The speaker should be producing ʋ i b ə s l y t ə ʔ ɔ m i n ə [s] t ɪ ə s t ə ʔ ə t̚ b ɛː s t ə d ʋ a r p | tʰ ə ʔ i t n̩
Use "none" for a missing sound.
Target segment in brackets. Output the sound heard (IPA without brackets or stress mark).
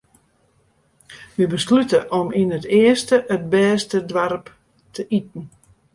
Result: none